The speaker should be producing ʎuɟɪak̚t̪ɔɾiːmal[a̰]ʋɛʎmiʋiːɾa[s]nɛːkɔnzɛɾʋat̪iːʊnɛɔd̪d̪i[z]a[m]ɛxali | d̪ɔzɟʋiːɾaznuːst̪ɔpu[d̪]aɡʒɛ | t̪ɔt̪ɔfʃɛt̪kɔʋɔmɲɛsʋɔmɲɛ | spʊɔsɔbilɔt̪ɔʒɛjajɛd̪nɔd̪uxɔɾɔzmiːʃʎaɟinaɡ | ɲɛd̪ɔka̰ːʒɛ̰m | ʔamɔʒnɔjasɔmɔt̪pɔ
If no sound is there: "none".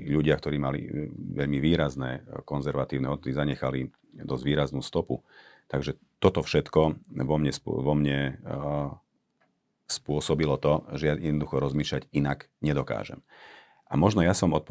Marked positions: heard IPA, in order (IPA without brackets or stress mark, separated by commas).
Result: ḭ, z, z, ɲ, t̪